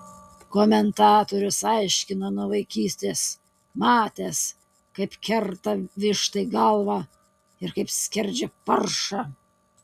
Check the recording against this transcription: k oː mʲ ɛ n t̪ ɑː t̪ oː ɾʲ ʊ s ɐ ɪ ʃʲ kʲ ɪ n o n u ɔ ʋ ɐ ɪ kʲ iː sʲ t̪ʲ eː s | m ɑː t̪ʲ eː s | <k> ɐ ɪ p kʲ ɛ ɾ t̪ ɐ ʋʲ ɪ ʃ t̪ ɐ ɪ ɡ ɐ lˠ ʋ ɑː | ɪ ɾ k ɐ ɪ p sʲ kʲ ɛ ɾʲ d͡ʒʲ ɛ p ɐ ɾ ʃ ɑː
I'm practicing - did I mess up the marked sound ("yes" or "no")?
no